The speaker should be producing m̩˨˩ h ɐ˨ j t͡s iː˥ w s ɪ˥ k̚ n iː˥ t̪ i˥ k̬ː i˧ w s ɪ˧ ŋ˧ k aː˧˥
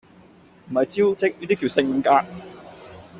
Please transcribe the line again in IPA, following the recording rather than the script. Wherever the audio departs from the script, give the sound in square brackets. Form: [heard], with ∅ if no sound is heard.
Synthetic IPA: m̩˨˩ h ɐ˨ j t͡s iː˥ w [t͡s] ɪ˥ k̚ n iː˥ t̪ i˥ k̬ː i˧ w s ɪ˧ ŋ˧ k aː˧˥